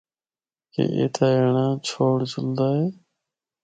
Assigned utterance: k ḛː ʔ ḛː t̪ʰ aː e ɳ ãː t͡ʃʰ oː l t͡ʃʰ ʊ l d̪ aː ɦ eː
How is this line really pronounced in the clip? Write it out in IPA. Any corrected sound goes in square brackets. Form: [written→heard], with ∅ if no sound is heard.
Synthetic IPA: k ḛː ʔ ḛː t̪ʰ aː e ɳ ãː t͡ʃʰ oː [l→ɽ] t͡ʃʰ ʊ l d̪ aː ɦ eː